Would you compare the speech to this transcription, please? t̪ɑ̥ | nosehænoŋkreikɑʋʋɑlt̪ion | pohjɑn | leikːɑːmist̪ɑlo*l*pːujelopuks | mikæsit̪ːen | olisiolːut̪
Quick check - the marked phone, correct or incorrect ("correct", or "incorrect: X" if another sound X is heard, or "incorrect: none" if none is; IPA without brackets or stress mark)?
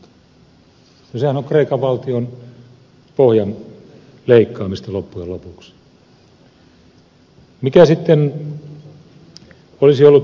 incorrect: none